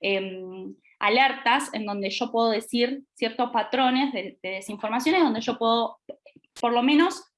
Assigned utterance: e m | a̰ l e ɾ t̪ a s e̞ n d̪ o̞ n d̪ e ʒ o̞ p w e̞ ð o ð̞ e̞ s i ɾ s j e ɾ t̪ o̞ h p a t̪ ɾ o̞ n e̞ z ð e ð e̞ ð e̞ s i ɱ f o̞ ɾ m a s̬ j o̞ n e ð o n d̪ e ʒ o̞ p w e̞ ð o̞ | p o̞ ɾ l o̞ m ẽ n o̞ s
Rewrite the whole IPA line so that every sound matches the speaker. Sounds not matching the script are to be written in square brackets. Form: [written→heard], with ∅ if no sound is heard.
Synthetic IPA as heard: e m | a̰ l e ɾ t̪ a s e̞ n d̪ o̞ n d̪ e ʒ o̞ p w e̞ ð o ð̞ e̞ s i ɾ s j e ɾ t̪ o̞ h p a t̪ ɾ o̞ n e̞ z ð e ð e̞ ð e̞ s i ɱ f o̞ ɾ m a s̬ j o̞ n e ð o n d̪ e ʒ o̞ p w e̞ ð o̞ | p o̞ ɾ l o̞ m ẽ n o̞ s